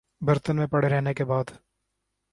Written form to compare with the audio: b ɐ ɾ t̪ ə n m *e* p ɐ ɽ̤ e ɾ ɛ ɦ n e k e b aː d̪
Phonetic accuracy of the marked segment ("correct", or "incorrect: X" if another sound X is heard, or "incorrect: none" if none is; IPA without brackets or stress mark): incorrect: ẽ